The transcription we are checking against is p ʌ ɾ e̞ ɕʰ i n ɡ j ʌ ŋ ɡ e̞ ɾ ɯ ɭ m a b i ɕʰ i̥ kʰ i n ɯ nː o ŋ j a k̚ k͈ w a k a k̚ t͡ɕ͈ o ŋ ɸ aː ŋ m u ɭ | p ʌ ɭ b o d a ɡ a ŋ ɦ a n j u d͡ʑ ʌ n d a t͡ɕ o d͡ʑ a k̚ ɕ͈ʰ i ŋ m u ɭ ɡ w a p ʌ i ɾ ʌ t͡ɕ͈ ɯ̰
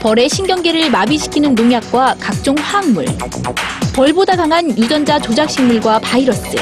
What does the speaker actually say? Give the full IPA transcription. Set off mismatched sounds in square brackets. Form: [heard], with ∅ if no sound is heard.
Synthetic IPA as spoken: p ʌ ɾ e̞ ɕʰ i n ɡ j ʌ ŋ ɡ e̞ ɾ ɯ ɭ m a b i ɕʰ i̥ kʰ i n ɯ nː o ŋ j a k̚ k͈ w a k a k̚ t͡ɕ͈ o ŋ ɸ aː ŋ m u ɭ | p ʌ ɭ b o d a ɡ a ŋ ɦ a n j u d͡ʑ ʌ n [d͡ʑ] a t͡ɕ o d͡ʑ a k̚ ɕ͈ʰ i ŋ m u ɭ ɡ w a p [a] i ɾ ʌ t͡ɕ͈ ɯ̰